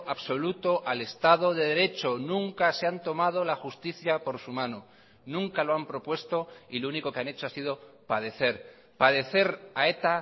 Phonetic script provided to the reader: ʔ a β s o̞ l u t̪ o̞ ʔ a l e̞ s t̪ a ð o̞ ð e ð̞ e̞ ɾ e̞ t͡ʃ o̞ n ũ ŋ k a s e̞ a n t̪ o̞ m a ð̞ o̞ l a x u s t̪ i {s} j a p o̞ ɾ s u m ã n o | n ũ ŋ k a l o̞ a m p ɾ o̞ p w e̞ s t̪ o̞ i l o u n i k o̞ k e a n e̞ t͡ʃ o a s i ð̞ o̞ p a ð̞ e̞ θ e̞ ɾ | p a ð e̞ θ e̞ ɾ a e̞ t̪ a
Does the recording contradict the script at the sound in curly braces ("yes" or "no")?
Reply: yes